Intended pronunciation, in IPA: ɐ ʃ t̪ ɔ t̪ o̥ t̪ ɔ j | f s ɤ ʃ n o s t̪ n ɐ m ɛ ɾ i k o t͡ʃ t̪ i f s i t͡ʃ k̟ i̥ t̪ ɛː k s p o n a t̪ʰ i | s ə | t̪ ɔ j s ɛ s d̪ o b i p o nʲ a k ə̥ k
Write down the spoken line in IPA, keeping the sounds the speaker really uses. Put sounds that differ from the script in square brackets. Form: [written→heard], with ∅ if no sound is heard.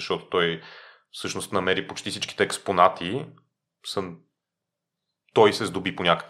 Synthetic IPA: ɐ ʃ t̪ ɔ t̪ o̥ t̪ ɔ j | f s ɤ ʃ n o s t̪ n ɐ m ɛ ɾ i [k→p] o t͡ʃ t̪ i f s i t͡ʃ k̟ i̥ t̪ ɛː k s p o n a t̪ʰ i | s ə | t̪ ɔ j s ɛ [s→z] d̪ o b i p o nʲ a k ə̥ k